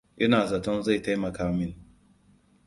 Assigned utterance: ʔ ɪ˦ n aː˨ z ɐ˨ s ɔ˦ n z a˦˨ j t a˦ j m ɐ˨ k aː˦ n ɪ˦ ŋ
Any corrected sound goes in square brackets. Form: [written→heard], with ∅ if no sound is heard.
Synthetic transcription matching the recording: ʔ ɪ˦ n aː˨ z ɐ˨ [s→t] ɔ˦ n z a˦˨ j t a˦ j m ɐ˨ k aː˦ [n→m] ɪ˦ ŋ